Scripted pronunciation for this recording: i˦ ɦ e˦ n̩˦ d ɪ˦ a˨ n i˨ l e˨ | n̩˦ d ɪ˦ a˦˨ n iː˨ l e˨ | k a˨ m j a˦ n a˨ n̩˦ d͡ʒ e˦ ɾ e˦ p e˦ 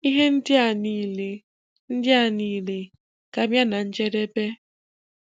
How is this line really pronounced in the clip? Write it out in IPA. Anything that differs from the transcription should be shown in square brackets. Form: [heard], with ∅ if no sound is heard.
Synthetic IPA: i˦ ɦ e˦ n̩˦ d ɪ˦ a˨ n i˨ l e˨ | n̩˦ d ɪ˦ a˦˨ n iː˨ l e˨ | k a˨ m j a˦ n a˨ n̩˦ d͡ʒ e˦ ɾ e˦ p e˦